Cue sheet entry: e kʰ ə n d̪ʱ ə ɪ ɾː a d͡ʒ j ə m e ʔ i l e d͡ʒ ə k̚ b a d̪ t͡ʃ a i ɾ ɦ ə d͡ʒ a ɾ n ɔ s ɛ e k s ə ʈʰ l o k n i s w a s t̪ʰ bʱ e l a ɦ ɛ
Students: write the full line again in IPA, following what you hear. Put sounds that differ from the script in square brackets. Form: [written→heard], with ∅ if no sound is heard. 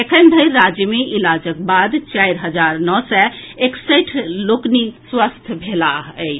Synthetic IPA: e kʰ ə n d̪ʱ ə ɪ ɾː a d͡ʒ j ə m e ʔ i l [e→a] d͡ʒ ə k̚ b a d̪ t͡ʃ a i ɾ ɦ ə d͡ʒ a ɾ n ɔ s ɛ e k s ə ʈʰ l o k n i s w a s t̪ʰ bʱ e l a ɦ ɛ

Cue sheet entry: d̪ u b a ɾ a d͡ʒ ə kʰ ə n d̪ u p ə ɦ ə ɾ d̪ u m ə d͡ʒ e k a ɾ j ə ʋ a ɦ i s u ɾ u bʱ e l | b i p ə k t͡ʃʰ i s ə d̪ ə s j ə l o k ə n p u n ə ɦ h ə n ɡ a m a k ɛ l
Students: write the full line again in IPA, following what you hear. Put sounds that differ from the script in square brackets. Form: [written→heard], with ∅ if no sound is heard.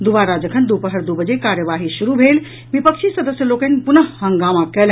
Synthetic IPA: d̪ u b a ɾ a d͡ʒ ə kʰ ə n d̪ u p ə ɦ ə ɾ d̪ u [m→b] ə d͡ʒ e k a ɾ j ə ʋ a ɦ i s u ɾ u bʱ e l | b i p ə k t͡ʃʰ i s ə d̪ ə s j ə l o k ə n p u n ə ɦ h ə [n→ŋ] ɡ a m a k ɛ l

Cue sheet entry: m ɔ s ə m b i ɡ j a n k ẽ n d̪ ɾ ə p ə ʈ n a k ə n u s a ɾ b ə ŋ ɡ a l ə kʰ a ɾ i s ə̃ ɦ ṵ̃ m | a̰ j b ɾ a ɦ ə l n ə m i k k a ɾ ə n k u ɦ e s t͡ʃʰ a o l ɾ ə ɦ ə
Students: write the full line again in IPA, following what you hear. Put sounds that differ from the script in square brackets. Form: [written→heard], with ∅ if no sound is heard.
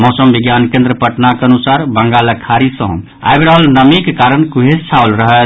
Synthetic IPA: m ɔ s ə m b i ɡ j a n k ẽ n d̪ ɾ ə p ə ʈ n a k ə n u s a ɾ b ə ŋ ɡ a l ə kʰ a ɾ i s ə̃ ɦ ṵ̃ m | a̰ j b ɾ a ɦ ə l n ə m i k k a ɾ ə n k u ɦ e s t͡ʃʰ a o l ɾ ə ɦ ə

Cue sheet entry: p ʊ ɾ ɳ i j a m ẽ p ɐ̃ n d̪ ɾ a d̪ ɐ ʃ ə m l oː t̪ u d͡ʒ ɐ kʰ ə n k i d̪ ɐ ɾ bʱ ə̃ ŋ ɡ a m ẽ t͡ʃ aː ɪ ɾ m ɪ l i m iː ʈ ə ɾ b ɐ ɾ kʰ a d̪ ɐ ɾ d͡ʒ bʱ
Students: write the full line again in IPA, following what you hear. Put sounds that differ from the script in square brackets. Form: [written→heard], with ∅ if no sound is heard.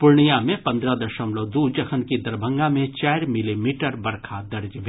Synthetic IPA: p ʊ ɾ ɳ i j a m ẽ p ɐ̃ n d̪ ɾ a d̪ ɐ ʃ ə m l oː [t̪→d̪] u d͡ʒ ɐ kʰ ə n k i d̪ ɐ ɾ bʱ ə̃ ŋ ɡ a m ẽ t͡ʃ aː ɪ ɾ m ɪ l i m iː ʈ ə ɾ b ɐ ɾ kʰ a d̪ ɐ ɾ d͡ʒ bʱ

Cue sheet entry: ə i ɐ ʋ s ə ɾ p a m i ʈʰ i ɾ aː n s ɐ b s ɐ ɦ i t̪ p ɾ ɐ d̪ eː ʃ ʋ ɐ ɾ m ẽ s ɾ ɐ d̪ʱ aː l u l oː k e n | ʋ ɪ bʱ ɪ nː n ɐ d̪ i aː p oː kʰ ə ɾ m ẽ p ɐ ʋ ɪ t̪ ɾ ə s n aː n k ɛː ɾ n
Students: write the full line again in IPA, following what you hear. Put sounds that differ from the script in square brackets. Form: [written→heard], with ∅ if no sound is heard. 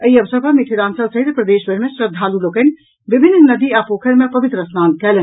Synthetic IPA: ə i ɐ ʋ s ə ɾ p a m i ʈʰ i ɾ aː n s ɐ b s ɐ ɦ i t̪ p ɾ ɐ d̪ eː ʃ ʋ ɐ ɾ m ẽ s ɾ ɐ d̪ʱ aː l u l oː k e n | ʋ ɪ bʱ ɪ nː n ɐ d̪ i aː p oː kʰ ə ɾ m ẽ p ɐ ʋ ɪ t̪ ɾ ə s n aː n k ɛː [ɾ→l] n

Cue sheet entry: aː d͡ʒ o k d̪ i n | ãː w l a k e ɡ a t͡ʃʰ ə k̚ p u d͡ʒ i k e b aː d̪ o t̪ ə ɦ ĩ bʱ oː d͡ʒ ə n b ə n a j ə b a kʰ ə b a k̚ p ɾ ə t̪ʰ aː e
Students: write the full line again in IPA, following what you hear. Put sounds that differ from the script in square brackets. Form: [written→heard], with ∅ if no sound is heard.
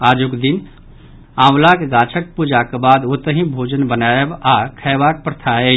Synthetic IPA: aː d͡ʒ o k d̪ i n | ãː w l a k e ɡ a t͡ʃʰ ə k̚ p u d͡ʒ [i→a] k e b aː d̪ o t̪ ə ɦ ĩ bʱ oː d͡ʒ ə n b ə n a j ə b a kʰ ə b a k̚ p ɾ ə t̪ʰ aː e

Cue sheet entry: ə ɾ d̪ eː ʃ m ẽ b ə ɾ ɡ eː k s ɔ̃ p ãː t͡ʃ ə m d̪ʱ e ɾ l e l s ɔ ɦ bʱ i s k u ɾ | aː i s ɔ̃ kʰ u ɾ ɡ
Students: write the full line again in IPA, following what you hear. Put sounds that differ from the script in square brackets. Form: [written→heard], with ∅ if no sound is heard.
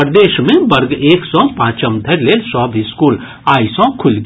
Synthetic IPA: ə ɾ d̪ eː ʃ m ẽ b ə ɾ ɡ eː k s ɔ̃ p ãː t͡ʃ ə m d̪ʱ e ɾ l e l s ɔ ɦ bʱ i s k u [ɾ→l] | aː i s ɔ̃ kʰ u [ɾ→l] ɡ

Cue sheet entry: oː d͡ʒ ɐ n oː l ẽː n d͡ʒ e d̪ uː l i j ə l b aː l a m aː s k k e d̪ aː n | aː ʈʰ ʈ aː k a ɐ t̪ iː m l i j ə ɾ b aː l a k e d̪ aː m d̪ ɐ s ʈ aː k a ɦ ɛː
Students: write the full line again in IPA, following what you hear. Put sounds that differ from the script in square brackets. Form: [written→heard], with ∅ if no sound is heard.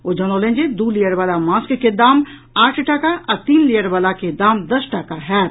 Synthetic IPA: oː d͡ʒ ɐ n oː l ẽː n d͡ʒ e d̪ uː l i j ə [l→ɾ] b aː l a m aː s k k e d̪ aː [n→m] | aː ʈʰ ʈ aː k a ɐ t̪ iː [m→n] l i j ə ɾ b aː l a k e d̪ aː m d̪ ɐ s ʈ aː k a ɦ ɛː

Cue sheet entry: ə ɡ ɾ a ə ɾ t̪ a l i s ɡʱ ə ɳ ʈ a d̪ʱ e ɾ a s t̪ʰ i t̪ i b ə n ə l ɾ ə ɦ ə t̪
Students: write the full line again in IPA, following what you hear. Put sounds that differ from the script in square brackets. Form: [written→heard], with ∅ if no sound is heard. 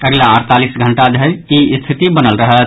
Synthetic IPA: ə ɡ [ɾ→l] a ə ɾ t̪ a l i s ɡʱ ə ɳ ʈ a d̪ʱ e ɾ [a→i] s t̪ʰ i t̪ i b ə n ə l ɾ ə ɦ ə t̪

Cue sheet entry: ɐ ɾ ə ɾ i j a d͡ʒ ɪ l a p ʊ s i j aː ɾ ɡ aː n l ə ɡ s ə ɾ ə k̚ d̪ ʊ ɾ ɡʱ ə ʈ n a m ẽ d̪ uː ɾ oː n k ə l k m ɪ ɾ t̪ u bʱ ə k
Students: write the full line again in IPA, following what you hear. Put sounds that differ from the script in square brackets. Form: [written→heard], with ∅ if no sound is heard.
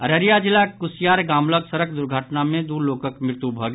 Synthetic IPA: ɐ ɾ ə ɾ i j a d͡ʒ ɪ l a [p→k] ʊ s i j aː ɾ ɡ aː [n→m] l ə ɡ s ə ɾ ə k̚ d̪ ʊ ɾ ɡʱ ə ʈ n a m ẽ d̪ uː [ɾ→l] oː [n→∅] k ə [l→∅] k m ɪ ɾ t̪ u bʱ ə [k→ɡ]

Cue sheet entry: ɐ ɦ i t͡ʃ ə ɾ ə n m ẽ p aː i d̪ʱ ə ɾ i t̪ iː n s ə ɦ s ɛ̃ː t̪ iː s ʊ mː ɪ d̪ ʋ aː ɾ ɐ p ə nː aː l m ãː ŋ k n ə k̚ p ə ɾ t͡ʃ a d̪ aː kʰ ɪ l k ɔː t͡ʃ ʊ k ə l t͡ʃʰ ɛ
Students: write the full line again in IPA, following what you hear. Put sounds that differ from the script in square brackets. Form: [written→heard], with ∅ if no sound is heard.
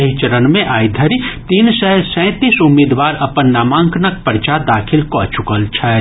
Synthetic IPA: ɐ ɦ i t͡ʃ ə ɾ ə n m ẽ [p→ʔ] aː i d̪ʱ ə ɾ i t̪ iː n s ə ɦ s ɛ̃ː t̪ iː s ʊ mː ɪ d̪ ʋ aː ɾ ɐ p ə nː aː [l→∅] m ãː ŋ k n ə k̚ p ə ɾ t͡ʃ a d̪ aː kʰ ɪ l k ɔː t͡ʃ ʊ k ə l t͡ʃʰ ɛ

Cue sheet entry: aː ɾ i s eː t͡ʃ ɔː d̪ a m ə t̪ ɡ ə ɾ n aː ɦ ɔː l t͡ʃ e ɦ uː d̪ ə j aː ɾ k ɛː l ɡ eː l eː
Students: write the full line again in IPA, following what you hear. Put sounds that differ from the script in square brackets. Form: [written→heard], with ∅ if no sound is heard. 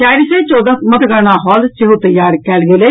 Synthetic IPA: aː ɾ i s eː t͡ʃ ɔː d̪ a m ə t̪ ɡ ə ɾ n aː ɦ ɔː l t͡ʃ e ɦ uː [d̪→t̪] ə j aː ɾ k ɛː l ɡ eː l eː

